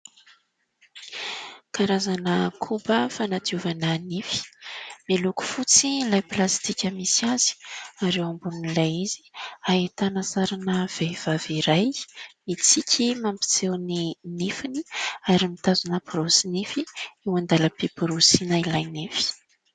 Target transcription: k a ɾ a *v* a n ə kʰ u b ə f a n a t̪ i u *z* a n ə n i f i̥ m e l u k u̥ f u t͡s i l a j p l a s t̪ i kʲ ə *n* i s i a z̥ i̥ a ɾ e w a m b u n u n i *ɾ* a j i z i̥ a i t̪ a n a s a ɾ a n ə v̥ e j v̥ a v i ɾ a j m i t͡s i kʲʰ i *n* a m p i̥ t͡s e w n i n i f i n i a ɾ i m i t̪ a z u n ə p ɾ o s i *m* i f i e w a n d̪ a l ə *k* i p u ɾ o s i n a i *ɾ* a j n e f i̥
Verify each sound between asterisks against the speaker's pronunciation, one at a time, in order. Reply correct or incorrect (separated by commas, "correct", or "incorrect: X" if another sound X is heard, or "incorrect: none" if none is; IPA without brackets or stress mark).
incorrect: z, incorrect: v, incorrect: m, incorrect: l, incorrect: m, incorrect: n, incorrect: p, incorrect: l